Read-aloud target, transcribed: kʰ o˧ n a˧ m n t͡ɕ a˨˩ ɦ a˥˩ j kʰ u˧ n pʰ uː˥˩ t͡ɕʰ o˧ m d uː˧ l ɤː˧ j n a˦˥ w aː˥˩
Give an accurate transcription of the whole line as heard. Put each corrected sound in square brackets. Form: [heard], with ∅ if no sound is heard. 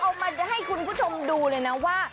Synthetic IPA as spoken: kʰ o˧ [m] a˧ [∅] n t͡ɕ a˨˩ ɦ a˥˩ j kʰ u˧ n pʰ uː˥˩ t͡ɕʰ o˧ m d uː˧ l ɤː˧ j n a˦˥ w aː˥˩